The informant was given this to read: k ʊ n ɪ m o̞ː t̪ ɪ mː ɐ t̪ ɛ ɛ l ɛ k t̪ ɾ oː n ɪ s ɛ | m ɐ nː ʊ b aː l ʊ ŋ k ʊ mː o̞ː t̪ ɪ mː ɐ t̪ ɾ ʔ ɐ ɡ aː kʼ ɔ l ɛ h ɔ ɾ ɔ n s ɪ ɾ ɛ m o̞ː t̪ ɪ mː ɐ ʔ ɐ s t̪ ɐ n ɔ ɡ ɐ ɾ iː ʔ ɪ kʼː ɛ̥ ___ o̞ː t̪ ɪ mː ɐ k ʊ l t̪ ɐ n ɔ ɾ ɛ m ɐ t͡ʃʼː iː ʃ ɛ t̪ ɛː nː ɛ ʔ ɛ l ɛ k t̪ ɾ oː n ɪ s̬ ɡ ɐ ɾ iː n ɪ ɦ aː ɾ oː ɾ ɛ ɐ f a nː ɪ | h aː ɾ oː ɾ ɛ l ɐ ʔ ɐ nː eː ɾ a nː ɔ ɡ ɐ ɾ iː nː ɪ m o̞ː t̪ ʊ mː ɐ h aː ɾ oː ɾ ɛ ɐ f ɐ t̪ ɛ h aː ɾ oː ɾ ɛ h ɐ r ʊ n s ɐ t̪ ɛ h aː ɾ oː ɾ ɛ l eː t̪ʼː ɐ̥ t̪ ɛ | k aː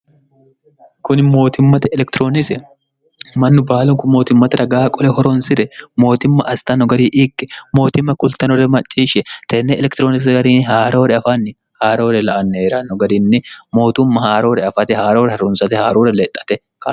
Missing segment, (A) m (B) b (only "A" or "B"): A